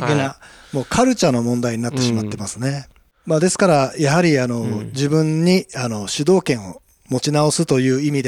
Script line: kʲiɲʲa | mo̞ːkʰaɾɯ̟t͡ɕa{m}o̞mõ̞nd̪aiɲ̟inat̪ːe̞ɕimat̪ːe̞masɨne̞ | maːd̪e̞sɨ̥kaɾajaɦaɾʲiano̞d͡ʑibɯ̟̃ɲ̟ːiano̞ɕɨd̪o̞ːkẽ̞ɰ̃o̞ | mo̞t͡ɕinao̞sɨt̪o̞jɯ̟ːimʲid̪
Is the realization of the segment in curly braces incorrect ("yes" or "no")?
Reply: yes